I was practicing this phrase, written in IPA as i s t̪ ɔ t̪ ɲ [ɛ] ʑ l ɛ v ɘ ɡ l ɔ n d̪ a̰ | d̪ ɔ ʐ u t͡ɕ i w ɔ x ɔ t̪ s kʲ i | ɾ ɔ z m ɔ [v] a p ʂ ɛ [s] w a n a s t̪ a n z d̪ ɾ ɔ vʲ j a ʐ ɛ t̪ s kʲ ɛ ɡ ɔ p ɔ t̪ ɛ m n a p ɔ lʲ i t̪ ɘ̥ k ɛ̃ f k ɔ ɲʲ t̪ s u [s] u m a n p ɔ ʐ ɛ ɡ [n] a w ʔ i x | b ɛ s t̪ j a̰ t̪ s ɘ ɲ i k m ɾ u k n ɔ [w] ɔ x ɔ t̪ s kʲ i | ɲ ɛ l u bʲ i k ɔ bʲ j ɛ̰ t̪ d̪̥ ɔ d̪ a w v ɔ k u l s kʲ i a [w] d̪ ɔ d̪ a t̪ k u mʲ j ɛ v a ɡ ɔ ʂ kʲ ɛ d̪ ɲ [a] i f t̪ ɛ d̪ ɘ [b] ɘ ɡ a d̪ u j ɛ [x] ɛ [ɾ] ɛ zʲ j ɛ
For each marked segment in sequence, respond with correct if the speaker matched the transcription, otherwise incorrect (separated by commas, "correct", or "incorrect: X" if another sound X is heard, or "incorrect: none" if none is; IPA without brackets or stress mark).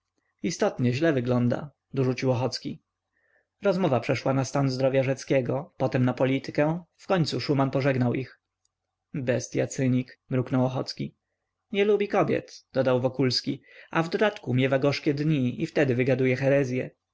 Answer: correct, correct, incorrect: ʂ, incorrect: ʂ, correct, correct, incorrect: v, incorrect: i, incorrect: v, correct, correct